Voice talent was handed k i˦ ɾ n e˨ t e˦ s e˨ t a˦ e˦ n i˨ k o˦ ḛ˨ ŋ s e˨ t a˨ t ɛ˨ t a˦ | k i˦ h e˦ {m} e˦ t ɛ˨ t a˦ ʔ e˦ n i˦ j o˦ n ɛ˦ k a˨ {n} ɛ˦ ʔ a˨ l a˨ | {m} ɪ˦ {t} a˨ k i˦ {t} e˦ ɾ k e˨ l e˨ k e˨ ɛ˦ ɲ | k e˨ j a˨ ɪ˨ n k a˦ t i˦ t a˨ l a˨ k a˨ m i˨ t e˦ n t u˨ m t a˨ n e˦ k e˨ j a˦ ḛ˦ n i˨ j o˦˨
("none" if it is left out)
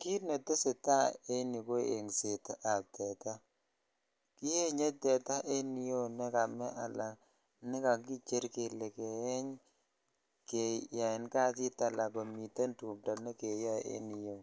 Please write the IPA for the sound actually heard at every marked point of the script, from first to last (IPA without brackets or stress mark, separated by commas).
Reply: ɲ, m, n, k, t͡ʃ